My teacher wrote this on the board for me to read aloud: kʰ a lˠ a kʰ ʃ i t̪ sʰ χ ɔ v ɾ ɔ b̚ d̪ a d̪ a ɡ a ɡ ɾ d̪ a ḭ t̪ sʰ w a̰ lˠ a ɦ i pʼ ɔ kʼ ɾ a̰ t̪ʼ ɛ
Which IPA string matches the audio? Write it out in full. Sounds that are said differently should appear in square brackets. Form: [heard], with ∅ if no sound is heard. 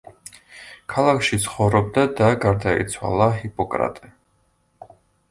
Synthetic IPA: kʰ a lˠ a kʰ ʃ i t̪ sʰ χ ɔ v ɾ ɔ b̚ d̪ a d̪ a ɡ a [∅] ɾ d̪ a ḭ t̪ sʰ w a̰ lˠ a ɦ i pʼ ɔ kʼ ɾ a̰ t̪ʼ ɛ